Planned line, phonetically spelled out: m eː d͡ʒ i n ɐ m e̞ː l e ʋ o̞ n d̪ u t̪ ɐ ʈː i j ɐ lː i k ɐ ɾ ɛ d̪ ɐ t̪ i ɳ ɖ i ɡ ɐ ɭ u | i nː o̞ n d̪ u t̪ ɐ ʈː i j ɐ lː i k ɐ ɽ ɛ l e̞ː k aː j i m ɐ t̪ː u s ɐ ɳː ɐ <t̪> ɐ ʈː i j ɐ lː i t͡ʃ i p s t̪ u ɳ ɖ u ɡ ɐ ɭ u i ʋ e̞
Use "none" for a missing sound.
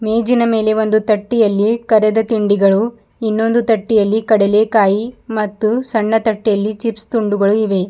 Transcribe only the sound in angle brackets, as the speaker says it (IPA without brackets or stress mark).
t̪